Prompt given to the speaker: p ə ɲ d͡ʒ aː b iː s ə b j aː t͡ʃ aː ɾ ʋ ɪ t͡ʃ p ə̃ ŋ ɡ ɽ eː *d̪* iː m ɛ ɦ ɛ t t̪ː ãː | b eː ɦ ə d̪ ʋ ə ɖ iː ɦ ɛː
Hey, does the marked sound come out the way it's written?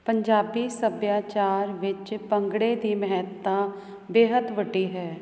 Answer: yes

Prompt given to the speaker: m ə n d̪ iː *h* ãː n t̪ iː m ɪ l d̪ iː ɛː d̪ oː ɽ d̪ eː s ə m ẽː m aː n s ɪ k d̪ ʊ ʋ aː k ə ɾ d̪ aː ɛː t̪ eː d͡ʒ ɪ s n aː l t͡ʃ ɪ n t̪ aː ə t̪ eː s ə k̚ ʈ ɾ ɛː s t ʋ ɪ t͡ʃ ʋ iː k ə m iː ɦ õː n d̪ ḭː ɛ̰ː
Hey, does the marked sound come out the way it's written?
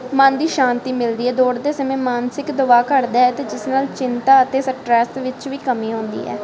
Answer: no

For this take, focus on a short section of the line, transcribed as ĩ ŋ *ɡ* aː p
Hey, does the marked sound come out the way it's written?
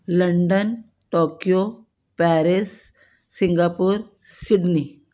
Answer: yes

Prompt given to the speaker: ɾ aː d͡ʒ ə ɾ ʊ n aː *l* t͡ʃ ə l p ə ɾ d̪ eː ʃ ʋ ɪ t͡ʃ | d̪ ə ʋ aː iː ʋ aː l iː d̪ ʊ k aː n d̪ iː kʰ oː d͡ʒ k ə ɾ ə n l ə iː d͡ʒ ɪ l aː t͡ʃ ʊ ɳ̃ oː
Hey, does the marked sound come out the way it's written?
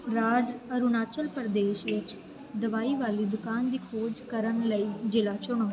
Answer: no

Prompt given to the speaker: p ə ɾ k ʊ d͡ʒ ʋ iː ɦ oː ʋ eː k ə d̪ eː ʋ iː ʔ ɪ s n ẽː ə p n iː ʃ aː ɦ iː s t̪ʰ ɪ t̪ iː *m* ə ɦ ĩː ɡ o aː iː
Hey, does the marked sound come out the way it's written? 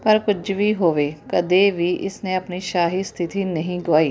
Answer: no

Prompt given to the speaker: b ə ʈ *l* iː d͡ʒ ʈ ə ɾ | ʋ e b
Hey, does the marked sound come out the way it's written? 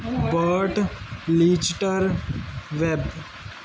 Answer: yes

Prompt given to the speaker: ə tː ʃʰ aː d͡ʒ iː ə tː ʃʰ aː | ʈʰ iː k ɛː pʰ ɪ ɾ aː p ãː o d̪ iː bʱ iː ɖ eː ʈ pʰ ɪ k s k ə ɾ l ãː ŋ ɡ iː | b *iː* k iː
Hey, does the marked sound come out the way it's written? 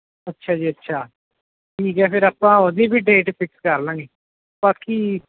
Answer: no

